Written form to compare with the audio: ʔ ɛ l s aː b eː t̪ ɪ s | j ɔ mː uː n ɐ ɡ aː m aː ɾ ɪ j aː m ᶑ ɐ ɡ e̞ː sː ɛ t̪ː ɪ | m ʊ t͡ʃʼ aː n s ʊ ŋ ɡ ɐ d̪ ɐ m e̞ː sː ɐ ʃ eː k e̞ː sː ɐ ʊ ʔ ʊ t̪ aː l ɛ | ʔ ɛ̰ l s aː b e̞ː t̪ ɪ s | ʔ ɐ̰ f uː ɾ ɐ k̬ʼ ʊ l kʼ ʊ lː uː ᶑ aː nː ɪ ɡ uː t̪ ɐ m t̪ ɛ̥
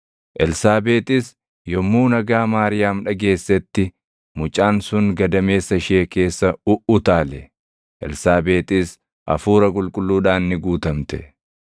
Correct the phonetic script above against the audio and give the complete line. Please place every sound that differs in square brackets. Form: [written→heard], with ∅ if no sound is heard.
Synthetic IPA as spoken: ʔ ɛ l s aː b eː t̪ ɪ s | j ɔ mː uː n ɐ ɡ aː m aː ɾ ɪ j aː m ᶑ ɐ ɡ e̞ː sː ɛ t̪ː ɪ | m ʊ t͡ʃʼ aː n s ʊ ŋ ɡ ɐ d̪ ɐ m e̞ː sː ɐ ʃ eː k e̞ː sː ɐ ʊ ʔ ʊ t̪ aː l ɛ | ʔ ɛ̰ l s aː b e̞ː t̪ ɪ s | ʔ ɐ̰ f uː ɾ ɐ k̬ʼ ʊ l kʼ ʊ lː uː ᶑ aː nː ɪ ɡ uː t̪ ɐ m t̪ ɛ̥